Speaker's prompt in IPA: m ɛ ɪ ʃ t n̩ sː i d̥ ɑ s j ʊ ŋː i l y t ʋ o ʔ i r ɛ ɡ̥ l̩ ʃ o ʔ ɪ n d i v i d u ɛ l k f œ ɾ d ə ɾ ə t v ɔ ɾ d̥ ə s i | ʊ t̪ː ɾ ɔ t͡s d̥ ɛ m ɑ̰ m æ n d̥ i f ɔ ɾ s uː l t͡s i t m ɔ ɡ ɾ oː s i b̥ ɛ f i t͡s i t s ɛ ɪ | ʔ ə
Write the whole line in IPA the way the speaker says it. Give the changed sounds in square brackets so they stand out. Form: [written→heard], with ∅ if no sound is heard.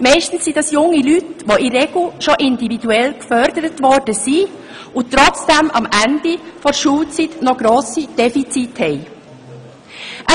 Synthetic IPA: m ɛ ɪ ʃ t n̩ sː i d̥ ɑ s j ʊ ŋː i l y t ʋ o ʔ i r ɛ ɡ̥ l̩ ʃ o ʔ ɪ n d i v i d u ɛ l k f œ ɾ d ə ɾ ə t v ɔ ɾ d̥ ə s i | ʊ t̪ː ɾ ɔ t͡s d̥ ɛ m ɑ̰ m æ n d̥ i f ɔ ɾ [s→ʃ] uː l t͡s i t [m→n] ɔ ɡ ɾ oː s i [b̥→d̥] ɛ f i t͡s i t [s→h] ɛ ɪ | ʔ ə

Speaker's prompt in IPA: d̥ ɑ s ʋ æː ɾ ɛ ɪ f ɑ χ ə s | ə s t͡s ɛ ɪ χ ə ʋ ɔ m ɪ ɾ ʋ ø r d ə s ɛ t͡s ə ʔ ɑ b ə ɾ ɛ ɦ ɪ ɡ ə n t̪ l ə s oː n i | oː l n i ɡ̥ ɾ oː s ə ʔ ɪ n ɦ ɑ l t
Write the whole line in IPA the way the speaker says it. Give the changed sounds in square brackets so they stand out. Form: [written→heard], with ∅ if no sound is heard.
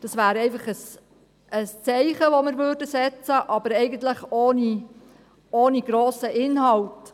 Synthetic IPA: d̥ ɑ s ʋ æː ɾ ɛ ɪ f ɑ χ ə s | ə s t͡s ɛ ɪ χ ə ʋ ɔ m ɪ ɾ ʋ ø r d ə s ɛ t͡s ə ʔ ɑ b ə ɾ ɛ [ɦ→∅] ɪ ɡ ə n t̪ l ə [s→χ] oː n i | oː [l→∅] n i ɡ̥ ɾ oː s ə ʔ ɪ n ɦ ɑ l t

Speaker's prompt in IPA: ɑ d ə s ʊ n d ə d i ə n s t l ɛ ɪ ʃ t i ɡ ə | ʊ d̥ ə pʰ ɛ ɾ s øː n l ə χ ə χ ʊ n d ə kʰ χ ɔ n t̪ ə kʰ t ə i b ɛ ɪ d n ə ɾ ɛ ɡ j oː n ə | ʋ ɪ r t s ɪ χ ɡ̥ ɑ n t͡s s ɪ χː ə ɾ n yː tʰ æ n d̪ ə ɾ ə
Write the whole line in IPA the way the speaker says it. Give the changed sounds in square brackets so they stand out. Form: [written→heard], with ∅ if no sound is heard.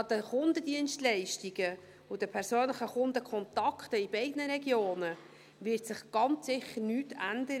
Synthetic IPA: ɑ d ə [s→χ] ʊ n d ə d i ə n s t l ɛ ɪ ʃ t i ɡ ə | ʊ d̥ ə pʰ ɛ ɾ s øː n l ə χ ə χ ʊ n d ə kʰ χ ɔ n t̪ [ə→ɑ] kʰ t ə i b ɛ ɪ d n ə ɾ ɛ ɡ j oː n ə | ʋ ɪ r t s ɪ χ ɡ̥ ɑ n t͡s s ɪ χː ə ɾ n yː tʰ æ n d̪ ə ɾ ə

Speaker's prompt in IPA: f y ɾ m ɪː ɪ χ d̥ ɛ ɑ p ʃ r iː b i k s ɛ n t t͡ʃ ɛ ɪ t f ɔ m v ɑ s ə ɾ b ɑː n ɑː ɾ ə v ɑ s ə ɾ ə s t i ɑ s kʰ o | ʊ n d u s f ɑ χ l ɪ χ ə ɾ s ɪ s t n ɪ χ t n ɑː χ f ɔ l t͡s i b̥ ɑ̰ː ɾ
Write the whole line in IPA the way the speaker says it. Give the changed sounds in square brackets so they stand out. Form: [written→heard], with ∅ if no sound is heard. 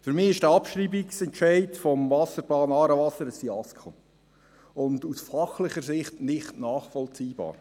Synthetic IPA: f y ɾ m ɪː ɪ [χ→ʃ] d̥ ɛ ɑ p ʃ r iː b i k s ɛ n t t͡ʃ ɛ ɪ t f ɔ m v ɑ s ə ɾ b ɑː n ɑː ɾ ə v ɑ s ə ɾ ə s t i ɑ s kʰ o | ʊ n d u s f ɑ χ l ɪ χ ə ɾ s ɪ [s→χ] t n ɪ χ t n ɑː χ f ɔ l t͡s [i→iː] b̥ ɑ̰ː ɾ

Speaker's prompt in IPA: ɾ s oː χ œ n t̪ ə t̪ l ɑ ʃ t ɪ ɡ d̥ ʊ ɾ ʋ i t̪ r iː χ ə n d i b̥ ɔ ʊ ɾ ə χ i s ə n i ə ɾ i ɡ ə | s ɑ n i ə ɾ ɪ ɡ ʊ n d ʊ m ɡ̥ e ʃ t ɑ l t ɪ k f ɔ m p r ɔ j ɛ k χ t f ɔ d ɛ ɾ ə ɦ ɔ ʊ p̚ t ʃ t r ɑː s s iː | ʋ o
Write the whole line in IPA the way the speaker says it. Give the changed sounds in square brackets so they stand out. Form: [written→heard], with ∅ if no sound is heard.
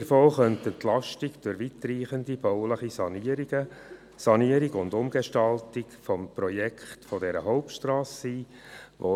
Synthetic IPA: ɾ [s→f] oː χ œ n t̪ ə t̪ l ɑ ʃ t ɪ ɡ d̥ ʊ ɾ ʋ i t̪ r iː χ ə n d i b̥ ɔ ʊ [ɾ→l] ə χ i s [ə→ɑ] n i ə ɾ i ɡ ə | s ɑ n i ə ɾ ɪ ɡ ʊ n d ʊ m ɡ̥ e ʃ t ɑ l t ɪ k f ɔ m p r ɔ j ɛ k χ t f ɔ d ɛ ɾ ə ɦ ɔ ʊ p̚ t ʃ t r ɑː s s iː | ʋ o

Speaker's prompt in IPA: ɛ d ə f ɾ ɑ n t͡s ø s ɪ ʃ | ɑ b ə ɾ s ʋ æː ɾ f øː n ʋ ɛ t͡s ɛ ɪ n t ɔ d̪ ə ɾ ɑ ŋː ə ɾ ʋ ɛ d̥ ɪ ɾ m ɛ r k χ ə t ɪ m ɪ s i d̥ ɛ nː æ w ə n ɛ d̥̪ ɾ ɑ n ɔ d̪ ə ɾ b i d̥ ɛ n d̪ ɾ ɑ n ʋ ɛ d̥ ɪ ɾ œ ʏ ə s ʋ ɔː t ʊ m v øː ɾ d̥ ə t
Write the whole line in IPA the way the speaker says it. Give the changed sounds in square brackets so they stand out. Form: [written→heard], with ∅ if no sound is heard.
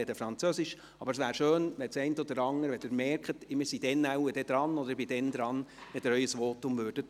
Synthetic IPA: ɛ d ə f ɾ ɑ n t͡s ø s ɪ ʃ | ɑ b ə ɾ s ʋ æː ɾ [f→ʃ] øː n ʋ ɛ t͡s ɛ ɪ n t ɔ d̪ ə ɾ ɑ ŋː ə ɾ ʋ ɛ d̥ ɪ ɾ m ɛ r k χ ə t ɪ m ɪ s i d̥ ɛ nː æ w ə [n→d] ɛ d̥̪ ɾ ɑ n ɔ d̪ ə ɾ b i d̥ ɛ n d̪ ɾ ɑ n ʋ ɛ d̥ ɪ ɾ œ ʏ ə s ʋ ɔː t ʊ m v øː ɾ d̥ ə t

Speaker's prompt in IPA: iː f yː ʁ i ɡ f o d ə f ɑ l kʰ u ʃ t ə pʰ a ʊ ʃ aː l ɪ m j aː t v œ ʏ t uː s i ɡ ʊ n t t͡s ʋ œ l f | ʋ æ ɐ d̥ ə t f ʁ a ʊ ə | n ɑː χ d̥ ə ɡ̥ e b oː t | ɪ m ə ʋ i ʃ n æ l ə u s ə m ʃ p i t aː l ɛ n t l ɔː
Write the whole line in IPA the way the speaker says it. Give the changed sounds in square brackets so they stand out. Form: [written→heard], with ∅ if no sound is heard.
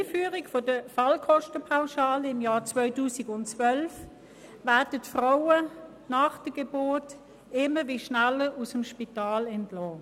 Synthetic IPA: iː f yː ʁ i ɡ f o d ə f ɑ l kʰ [u→ɔ] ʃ t ə pʰ a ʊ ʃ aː l ɪ m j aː [t→t͡s] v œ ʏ t uː s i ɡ ʊ n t t͡s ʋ œ l f | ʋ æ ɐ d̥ ə t f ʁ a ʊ ə | n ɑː χ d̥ ə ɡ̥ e b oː t | ɪ m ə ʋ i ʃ n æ l ə u s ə m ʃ p i t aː l ɛ n t l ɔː

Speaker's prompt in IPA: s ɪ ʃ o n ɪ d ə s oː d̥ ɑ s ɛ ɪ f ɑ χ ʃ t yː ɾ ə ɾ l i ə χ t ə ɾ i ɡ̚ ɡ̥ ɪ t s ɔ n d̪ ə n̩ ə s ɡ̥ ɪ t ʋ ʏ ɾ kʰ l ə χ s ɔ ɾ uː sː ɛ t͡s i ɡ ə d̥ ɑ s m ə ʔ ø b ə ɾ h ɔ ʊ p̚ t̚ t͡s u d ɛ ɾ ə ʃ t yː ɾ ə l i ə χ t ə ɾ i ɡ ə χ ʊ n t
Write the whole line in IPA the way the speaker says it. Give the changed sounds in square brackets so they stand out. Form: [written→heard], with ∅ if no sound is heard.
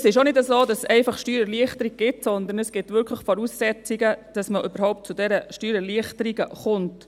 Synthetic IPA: s ɪ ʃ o n ɪ d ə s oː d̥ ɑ s ɛ ɪ f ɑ χ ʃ t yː ɾ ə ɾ l i ə χ t ə ɾ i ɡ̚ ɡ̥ ɪ t s ɔ n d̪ ə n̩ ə s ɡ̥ ɪ t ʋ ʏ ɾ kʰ l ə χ [s→f] ɔ ɾ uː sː ɛ t͡s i ɡ ə d̥ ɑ s m ə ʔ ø b ə ɾ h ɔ ʊ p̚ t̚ t͡s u d ɛ ɾ ə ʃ t yː ɾ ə l i ə χ t ə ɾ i ɡ ə χ ʊ n t

